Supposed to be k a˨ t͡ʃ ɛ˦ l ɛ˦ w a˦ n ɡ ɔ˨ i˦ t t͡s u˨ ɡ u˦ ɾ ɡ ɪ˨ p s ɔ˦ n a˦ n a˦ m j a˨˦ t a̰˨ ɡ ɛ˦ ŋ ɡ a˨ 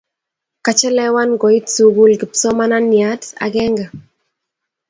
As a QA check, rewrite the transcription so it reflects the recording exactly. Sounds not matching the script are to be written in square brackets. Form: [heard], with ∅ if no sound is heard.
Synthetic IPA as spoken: k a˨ t͡ʃ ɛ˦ l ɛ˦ w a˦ n ɡ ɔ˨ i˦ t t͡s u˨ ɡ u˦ [l] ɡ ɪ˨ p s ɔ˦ [m] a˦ n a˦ [n] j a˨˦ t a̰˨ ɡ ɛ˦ ŋ ɡ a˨

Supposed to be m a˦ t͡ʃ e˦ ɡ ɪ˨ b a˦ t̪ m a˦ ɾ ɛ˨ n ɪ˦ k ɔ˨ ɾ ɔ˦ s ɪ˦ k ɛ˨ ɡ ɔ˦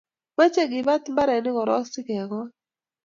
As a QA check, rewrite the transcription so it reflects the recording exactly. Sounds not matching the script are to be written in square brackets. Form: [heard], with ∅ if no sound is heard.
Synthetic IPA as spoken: m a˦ t͡ʃ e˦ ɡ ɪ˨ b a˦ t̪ m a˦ ɾ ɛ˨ n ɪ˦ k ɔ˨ ɾ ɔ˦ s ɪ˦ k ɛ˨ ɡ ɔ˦

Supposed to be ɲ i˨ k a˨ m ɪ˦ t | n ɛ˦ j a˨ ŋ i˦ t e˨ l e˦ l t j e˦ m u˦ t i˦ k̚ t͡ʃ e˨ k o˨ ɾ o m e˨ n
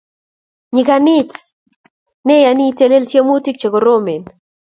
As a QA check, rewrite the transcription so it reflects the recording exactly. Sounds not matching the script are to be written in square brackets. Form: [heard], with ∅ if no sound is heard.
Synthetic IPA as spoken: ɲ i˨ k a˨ [n] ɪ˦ t | n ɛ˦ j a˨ [n] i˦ t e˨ l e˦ l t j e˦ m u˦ t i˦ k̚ t͡ʃ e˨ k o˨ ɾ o m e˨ n

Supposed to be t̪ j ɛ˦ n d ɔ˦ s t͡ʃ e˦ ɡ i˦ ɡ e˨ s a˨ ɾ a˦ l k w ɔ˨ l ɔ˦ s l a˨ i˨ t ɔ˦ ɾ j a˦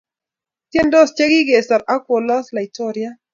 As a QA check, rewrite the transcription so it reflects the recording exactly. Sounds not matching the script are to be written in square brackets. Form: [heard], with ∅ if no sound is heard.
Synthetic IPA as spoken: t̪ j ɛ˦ n d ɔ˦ s t͡ʃ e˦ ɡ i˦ ɡ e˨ s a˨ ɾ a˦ [∅] k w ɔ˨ l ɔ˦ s l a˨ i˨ t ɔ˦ ɾ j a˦

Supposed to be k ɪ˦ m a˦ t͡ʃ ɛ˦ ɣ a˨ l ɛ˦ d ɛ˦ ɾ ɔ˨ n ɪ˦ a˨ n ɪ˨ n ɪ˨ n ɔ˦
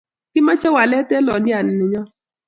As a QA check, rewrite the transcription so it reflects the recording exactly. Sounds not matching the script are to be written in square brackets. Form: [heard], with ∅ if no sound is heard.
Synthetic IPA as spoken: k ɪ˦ m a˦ t͡ʃ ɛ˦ [w] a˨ l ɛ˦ [t] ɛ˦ [l] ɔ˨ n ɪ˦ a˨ n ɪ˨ n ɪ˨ [ɲ] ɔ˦

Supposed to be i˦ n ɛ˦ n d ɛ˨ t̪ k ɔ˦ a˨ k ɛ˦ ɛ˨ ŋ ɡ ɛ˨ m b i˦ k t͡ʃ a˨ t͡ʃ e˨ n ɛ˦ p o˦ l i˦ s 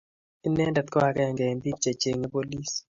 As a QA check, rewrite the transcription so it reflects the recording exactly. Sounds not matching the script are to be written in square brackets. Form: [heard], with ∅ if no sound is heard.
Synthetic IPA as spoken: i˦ n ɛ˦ n d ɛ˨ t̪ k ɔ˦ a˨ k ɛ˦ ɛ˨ ŋ ɡ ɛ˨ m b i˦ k t͡ʃ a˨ t͡ʃ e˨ [ŋ] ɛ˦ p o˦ l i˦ s

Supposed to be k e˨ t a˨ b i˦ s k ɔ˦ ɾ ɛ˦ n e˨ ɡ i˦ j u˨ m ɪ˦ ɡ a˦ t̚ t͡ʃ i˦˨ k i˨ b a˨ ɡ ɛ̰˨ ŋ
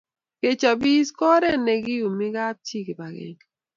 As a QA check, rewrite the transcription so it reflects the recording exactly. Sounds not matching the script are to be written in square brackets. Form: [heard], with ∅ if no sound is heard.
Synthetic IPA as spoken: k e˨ [t͡ʃ] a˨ b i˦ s k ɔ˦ ɾ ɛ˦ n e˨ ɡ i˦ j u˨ m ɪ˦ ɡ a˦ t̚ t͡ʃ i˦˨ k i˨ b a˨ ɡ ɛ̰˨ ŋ

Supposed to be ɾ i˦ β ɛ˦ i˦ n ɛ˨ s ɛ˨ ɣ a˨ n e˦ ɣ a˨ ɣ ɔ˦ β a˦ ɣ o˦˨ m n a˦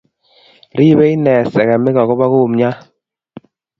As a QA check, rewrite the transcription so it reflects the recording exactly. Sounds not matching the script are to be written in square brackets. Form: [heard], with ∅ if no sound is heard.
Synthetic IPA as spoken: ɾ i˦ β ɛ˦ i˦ n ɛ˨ s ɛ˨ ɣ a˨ [m] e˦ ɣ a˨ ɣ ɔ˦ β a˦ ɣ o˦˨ m [ɲ] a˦

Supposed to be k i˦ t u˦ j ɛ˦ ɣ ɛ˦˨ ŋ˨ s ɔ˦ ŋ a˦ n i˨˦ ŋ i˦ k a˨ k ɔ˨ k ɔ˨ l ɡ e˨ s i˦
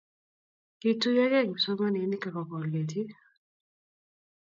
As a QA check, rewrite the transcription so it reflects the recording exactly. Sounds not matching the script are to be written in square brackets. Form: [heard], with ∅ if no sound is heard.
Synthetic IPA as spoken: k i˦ t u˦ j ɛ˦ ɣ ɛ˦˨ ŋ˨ s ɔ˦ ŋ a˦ n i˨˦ [n] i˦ k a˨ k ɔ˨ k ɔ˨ l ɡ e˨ [t] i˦

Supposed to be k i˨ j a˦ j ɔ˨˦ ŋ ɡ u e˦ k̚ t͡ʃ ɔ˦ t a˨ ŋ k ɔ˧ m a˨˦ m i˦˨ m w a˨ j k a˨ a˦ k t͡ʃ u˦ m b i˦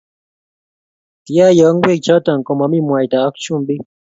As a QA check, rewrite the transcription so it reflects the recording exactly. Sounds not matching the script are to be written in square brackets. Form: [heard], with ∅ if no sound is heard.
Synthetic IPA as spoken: [t] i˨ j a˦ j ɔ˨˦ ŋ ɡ [w] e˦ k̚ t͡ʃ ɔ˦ t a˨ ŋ k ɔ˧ m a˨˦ m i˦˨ m w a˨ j [t] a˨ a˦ k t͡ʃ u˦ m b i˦

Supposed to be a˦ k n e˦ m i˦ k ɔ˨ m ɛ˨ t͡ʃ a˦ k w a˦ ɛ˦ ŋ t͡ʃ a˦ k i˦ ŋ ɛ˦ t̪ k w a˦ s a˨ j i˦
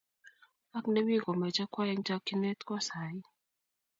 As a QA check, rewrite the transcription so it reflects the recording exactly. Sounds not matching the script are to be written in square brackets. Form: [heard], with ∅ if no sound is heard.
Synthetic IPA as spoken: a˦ k n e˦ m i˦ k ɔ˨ m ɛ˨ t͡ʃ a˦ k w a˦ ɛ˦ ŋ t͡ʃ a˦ k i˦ [n] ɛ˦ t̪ k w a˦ s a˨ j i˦

